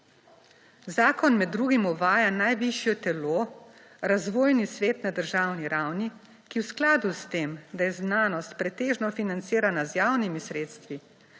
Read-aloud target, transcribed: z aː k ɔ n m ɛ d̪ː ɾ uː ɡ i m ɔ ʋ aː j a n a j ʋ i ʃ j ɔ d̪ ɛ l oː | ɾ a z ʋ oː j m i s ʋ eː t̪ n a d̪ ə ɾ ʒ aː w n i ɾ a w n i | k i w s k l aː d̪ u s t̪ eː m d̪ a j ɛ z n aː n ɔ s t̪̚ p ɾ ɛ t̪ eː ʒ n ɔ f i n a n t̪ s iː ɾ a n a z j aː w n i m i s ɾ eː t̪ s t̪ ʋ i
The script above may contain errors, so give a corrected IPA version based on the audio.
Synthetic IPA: z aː k ɔ n m ɛ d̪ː ɾ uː ɡ i m ɔ ʋ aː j a n a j ʋ i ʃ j ɔ t̪ ɛ l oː | ɾ a z ʋ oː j n i s ʋ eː t̪ n a d̪ ə ɾ ʒ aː w n i ɾ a w n i | k i w s k l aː d̪ u s t̪ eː m d̪ a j ɛ z n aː n ɔ s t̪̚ p ɾ ɛ t̪ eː ʒ n ɔ f i n a n t̪ s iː ɾ a n a z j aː w n i m i s ɾ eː t̪ s t̪ ʋ i